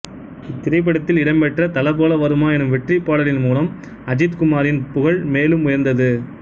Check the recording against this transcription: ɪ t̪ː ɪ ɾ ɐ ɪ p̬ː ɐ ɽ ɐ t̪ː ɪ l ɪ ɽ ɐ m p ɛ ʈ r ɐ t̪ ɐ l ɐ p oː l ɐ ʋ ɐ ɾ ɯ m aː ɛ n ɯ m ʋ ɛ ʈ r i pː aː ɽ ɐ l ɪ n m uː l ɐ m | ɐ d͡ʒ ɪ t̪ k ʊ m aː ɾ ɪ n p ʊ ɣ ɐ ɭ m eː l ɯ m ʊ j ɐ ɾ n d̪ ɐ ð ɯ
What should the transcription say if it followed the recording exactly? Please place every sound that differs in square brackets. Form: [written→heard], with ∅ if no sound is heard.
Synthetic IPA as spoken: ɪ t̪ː ɪ ɾ ɐ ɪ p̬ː ɐ ɽ ɐ t̪ː ɪ l ɪ ɽ ɐ m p ɛ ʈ r ɐ t̪ ɐ l ɐ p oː l ɐ ʋ ɐ ɾ ɯ m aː ɛ n ɯ m ʋ ɛ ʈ r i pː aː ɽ ɐ l ɪ n m uː l ɐ m | ɐ d͡ʒ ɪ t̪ k ʊ m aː ɾ ɪ n p ʊ ɣ ɐ ɭ m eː l ɯ m ʊ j ɐ ɾ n d̪ ɐ ð ɯ